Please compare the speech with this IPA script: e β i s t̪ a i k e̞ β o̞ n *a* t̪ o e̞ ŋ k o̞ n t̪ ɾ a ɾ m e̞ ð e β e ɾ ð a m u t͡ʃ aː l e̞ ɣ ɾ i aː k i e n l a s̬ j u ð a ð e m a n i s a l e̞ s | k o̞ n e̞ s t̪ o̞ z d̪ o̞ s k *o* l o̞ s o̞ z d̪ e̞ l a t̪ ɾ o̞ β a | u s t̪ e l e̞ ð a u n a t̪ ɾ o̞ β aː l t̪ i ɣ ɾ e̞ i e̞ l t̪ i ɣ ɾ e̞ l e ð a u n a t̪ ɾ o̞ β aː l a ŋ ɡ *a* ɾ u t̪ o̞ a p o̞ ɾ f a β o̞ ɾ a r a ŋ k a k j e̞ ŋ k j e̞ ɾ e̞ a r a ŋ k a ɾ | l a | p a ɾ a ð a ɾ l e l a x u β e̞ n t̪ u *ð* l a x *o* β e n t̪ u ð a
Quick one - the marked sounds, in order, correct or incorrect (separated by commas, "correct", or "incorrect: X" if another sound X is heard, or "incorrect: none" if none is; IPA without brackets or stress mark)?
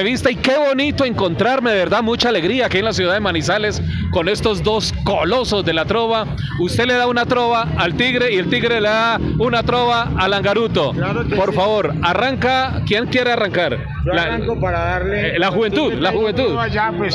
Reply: incorrect: i, correct, correct, correct, incorrect: u